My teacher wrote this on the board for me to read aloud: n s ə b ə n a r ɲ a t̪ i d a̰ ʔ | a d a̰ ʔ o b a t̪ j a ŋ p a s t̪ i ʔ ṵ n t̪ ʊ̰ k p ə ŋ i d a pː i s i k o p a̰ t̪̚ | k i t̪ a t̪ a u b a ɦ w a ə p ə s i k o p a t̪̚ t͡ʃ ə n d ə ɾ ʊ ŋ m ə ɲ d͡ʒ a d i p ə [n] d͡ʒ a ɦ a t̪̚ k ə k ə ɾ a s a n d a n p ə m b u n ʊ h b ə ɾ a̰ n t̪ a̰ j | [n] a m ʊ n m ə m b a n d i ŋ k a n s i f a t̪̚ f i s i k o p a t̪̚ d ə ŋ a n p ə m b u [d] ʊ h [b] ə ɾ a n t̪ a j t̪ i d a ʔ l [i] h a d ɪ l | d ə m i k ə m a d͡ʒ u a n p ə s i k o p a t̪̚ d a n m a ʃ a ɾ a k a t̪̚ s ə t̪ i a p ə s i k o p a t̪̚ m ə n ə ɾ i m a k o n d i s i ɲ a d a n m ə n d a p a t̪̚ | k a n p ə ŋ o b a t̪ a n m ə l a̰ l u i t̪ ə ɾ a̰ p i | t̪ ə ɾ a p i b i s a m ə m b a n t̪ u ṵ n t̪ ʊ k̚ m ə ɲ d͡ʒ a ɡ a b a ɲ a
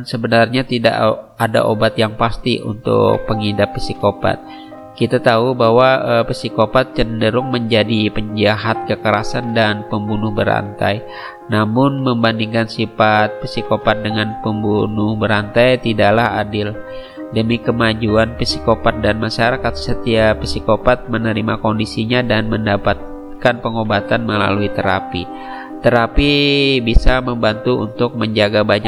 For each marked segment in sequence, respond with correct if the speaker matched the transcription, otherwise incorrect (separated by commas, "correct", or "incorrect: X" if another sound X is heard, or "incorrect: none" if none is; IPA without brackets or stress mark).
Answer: incorrect: ɲ, correct, incorrect: n, correct, incorrect: a